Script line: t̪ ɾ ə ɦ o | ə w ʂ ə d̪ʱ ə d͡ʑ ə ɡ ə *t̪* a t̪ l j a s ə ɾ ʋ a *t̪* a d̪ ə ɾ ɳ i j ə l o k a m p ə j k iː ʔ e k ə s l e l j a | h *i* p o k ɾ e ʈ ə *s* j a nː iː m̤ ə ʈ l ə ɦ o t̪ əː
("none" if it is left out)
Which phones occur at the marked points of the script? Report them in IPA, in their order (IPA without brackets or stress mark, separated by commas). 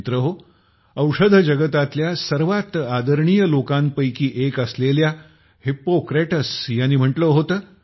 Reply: t̪, t̪, i, s